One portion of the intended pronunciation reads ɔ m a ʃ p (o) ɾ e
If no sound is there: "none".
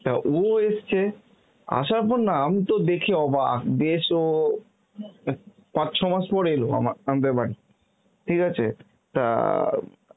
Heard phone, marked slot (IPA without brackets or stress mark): ɔ